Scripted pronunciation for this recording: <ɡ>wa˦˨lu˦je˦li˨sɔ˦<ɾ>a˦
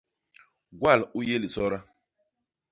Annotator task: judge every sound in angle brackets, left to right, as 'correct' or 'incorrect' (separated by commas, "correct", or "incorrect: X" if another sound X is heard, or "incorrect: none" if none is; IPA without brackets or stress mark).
correct, correct